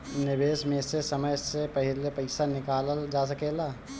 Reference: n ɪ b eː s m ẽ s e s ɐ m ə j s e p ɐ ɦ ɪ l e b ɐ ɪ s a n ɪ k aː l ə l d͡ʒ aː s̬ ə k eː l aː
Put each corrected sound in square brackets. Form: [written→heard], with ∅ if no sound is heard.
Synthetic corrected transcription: n ɪ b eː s m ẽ s e s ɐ m ə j s e p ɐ ɦ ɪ l e [b→p] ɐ ɪ s a n ɪ k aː l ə l d͡ʒ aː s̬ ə k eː l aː